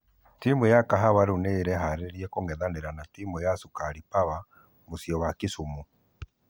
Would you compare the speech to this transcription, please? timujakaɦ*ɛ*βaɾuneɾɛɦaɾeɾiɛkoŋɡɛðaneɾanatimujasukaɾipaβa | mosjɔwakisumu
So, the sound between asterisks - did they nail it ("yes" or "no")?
no